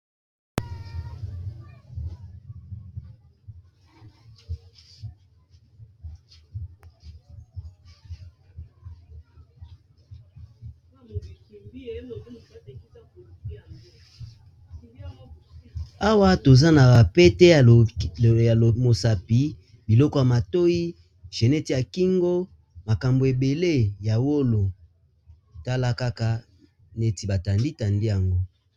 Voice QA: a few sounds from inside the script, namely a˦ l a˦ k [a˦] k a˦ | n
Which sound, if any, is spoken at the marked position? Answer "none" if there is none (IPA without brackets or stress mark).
a˦